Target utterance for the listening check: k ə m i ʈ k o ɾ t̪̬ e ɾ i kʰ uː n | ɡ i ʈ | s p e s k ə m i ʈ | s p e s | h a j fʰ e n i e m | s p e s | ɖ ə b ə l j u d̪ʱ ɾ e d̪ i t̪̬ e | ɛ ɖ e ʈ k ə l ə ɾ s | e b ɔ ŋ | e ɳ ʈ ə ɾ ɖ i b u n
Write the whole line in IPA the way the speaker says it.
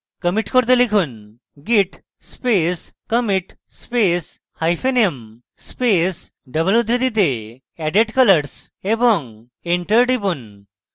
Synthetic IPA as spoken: k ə m i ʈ k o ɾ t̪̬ e l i kʰ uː n | ɡ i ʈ | s p e s k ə m i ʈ | s p e s | h a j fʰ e n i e m | s p e s | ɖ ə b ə l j u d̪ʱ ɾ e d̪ i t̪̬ e | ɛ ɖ e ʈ k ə l ə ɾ s | e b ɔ ŋ | e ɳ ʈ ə ɾ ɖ i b u n